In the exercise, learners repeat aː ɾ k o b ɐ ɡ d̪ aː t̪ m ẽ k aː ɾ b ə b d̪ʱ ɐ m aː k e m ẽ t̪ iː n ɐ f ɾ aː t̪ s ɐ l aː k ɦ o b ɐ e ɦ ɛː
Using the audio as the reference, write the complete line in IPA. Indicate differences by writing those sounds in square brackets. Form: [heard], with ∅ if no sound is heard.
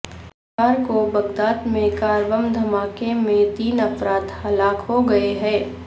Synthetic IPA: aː ɾ k o b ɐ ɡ d̪ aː t̪ m ẽ k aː ɾ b ə [m] d̪ʱ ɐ m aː k e m ẽ t̪ iː n ɐ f ɾ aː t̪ [h] ɐ l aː k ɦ o [ɡ] ɐ e ɦ ɛː